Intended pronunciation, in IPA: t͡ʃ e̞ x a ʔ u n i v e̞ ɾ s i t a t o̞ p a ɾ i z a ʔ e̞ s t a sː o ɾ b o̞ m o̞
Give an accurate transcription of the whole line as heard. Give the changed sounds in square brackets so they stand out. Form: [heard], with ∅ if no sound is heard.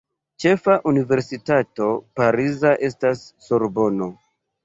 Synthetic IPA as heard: t͡ʃ e̞ [f] a ʔ u n i v e̞ ɾ s i t a t o̞ p a ɾ i z a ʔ e̞ s t a sː o ɾ b o̞ [n] o̞

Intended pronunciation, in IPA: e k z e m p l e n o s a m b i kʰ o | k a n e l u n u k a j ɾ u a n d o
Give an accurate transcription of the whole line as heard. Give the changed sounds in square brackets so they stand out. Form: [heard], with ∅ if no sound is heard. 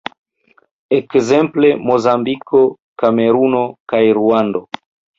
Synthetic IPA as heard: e k z e m p l e [m] o [z] a m b i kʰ o | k a [m] e [ɾ] u n [o] k a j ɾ u a n d o

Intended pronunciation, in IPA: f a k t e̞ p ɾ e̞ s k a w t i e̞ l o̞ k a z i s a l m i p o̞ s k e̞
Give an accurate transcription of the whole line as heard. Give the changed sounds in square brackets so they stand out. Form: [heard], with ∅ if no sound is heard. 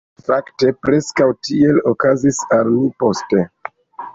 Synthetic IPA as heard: f a k t e̞ p ɾ e̞ s k a w t i e̞ l o̞ k a z i s a l m i p o̞ s [t] e̞

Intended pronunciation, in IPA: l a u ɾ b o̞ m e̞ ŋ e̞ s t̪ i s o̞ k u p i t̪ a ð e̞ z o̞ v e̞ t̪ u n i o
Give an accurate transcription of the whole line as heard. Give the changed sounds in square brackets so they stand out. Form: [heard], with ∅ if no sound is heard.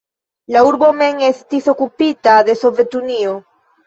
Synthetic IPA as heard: l a u ɾ b o̞ m e̞ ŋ e̞ s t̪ i s o̞ k u p i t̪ a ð e̞ [s] o̞ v e̞ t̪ u n i o

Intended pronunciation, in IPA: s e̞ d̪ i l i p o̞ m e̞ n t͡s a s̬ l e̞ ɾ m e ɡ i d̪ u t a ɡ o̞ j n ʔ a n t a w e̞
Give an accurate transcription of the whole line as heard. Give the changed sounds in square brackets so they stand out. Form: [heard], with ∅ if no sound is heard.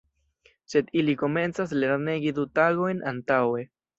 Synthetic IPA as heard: s e̞ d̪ i l i [k] o̞ m e̞ n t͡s a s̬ l e̞ ɾ [n] e ɡ i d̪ u t a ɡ o̞ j n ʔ a n t a w e̞

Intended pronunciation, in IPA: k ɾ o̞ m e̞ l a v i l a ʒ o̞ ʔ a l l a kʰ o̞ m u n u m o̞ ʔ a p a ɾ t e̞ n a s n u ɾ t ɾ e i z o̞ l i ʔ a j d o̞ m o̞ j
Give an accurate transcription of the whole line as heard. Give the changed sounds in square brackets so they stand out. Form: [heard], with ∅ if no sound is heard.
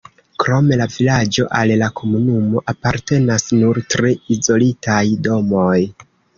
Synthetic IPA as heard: k ɾ o̞ m e̞ l a v i l a [d͡ʒ] o̞ ʔ a l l a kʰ o̞ m u n u m o̞ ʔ a p a ɾ t e̞ n a s n u ɾ t ɾ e i z o̞ l i [t] a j d o̞ m o̞ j

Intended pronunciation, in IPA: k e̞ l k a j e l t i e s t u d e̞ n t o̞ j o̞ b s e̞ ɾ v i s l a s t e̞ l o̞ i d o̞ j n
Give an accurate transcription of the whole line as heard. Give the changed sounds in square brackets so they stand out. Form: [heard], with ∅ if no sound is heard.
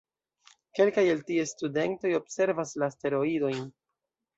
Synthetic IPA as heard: k e̞ l k a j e l t i e s t u d e̞ n t o̞ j o̞ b s e̞ ɾ v [a] s l a s t e̞ [ɾ] o̞ i d o̞ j n

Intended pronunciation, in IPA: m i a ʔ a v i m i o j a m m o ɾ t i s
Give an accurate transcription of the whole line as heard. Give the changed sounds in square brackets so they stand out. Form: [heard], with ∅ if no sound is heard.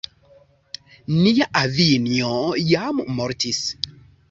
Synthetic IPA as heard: [n] i a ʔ a v i [n] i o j a m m o ɾ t i s

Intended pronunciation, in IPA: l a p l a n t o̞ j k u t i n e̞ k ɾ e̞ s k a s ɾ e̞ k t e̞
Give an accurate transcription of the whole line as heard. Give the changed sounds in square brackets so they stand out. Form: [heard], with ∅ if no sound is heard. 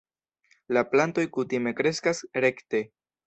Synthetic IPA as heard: l a p l a n t o̞ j k u t i [m] e̞ k ɾ e̞ s k a s ɾ e̞ k t e̞

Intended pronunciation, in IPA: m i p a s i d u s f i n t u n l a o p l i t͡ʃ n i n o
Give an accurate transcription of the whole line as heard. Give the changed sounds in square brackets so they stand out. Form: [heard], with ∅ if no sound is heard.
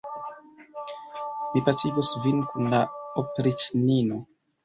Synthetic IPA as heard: m i p a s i [ɡ] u s [v] i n [k] u n l a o p [ɾ] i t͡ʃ n i n o

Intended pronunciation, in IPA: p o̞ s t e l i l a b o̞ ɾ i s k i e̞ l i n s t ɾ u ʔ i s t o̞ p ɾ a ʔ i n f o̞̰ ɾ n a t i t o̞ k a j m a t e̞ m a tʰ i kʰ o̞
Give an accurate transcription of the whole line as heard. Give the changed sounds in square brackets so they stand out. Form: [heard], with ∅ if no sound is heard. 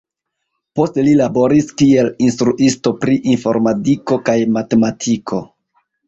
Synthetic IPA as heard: p o̞ s t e l i l a b o̞ ɾ i s k i e̞ l i n s t ɾ u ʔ i s t o̞ p ɾ [i] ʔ i n f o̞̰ ɾ [m] a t i [k] o̞ k a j m a t e̞ m a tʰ i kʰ o̞

